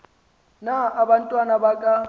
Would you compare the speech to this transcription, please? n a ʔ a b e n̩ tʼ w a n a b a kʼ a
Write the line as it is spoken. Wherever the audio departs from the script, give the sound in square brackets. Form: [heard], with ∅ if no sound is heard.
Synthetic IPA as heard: n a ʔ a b [a] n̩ tʼ w a n a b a kʼ a